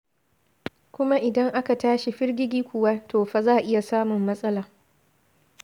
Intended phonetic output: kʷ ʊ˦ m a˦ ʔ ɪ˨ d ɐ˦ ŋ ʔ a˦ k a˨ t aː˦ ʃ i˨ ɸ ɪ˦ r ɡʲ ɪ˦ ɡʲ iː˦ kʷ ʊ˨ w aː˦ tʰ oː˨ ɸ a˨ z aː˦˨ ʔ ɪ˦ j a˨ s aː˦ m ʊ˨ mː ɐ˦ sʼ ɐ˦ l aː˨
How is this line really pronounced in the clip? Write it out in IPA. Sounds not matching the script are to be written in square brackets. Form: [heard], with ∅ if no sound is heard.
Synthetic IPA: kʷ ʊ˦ m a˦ ʔ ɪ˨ d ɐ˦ ŋ ʔ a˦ k a˨ t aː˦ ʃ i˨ ɸ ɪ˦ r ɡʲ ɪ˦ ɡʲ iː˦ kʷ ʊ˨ w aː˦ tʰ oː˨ ɸ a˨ z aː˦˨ ʔ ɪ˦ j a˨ s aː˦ m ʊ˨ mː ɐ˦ sʼ ɐ˦ l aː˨